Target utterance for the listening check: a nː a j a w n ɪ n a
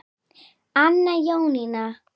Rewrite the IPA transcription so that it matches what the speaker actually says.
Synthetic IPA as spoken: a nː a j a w n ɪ n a

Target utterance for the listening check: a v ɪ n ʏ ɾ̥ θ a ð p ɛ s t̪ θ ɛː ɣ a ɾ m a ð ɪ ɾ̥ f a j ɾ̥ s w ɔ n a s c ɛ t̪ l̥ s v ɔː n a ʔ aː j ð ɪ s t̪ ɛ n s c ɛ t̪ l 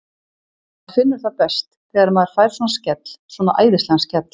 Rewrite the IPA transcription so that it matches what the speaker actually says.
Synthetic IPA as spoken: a f ɪ nː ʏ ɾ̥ θ a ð p ɛ s t̪ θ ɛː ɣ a ɾ m a ð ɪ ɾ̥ f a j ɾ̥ s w ɔ n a s c ɛ t̪ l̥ s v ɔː n a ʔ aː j ð ɪ s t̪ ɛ n s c ɛ t̪ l

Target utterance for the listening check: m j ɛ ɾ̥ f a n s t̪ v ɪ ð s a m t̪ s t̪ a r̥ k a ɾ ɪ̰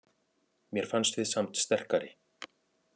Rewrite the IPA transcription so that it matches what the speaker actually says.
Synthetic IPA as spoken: m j ɛ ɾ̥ f a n s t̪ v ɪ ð s a m t̪ s t̪ ɛ r̥ k a ɾ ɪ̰

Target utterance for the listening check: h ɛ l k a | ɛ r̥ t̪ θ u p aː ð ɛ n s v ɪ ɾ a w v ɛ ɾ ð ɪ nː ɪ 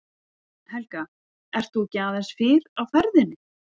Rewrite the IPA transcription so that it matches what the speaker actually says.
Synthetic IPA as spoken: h ɛ l k a | ɛ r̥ t̪ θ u c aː ð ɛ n s f ɪ ɾ a w f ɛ ɾ ð ɪ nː ɪ

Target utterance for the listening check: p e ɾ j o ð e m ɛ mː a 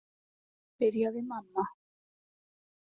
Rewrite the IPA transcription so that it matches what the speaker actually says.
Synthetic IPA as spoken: p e ɾ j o ð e m a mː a

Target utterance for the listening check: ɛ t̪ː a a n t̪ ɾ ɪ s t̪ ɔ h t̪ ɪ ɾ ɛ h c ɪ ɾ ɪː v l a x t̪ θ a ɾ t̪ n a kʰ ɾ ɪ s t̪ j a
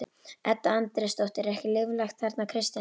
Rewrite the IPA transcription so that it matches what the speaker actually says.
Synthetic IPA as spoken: ɛ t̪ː a a n t̪ ɾ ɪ s t̪ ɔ h t̪ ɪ ɾ ɛ h c ɪ l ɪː v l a x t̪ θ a ɾ t̪ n a kʰ ɾ ɪ s t̪ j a

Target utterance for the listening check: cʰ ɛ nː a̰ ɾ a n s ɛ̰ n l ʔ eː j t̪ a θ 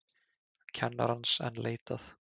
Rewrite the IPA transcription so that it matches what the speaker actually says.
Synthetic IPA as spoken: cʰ ɛ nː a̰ ɾ a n s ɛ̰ n l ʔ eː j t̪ a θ

